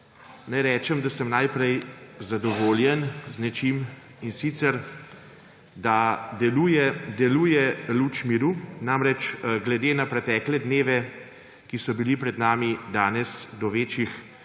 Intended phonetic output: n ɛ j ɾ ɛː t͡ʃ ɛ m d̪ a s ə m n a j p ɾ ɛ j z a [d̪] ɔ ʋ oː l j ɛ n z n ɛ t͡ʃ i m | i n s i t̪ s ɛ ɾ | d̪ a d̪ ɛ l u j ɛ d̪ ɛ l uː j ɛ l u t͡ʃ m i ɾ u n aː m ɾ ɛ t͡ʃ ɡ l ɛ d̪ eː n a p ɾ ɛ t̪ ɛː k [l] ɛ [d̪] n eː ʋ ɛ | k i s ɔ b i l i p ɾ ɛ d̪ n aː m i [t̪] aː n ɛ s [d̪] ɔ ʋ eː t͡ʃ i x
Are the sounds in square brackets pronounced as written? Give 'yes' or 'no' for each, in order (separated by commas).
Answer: yes, yes, yes, no, yes